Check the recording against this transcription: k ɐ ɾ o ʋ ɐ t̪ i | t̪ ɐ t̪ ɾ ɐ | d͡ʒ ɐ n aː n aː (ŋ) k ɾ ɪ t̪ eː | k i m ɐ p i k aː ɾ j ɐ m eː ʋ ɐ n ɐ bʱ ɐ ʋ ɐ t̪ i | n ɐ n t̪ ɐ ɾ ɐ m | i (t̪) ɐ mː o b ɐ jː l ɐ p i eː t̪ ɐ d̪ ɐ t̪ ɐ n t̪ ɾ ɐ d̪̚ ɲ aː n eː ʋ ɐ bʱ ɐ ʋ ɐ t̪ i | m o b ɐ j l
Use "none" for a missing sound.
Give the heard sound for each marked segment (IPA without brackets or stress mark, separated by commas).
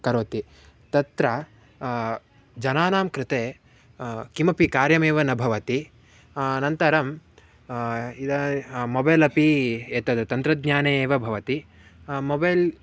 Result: m, d̪